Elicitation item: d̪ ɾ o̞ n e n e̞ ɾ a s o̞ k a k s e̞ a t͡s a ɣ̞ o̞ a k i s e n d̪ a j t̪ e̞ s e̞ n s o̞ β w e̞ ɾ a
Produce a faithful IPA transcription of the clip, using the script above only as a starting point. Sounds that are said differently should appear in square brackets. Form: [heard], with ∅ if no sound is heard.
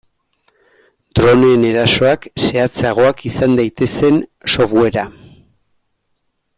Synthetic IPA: d̪ ɾ o̞ n e n e̞ ɾ a s o̞ [∅] a k s e̞ a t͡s a ɣ̞ o̞ a k i s [a] n d̪ a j t̪ e̞ s e̞ n s o̞ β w e̞ ɾ a